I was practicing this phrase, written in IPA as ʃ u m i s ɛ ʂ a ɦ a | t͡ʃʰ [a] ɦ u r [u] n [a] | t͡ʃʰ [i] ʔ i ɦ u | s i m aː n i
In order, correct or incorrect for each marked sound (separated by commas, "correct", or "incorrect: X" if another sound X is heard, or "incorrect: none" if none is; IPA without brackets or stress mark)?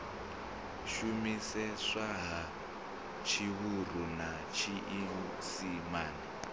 incorrect: i, correct, correct, correct